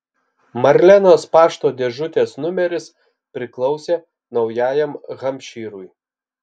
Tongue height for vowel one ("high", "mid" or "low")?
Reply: low